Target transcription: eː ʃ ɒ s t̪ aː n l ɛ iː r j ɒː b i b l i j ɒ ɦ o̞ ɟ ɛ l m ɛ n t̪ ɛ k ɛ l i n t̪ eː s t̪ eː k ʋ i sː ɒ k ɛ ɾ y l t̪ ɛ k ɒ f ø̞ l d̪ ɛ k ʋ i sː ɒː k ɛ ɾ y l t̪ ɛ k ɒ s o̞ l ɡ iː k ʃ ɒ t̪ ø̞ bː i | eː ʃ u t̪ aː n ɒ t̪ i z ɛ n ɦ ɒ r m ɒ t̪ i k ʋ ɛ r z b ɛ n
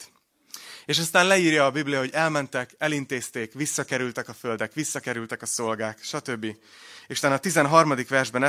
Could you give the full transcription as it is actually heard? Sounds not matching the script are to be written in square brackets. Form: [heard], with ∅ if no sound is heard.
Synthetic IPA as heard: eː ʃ ɒ s t̪ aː n l ɛ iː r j ɒː b i b l i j ɒ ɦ o̞ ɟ ɛ l m ɛ n t̪ ɛ k ɛ l i n t̪ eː s t̪ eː k ʋ i sː ɒ k ɛ ɾ y l t̪ ɛ k ɒ f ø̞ l d̪ ɛ k ʋ i sː [ɒ] k ɛ ɾ y l t̪ ɛ k ɒ s o̞ l ɡ [aː] k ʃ ɒ t̪ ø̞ bː i | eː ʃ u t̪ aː n ɒ t̪ i z ɛ n ɦ ɒ r m ɒ [d̪] i k ʋ ɛ r [ʒ] b ɛ n